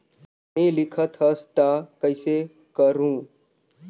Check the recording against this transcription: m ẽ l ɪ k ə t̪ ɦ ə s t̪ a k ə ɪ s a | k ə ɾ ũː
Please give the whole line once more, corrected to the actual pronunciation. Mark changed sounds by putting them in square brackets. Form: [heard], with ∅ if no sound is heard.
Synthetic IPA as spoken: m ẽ l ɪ [kʰ] ə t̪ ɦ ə s t̪ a k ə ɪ s [e] | k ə ɾ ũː